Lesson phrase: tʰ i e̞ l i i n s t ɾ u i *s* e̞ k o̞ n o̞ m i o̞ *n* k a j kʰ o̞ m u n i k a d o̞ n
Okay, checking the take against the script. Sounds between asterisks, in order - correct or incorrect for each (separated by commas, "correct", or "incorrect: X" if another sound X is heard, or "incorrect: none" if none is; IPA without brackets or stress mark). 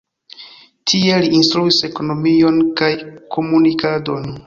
correct, correct